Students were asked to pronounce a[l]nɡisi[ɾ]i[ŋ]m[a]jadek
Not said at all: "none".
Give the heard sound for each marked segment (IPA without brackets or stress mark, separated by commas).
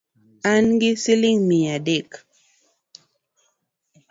none, l, ŋ, i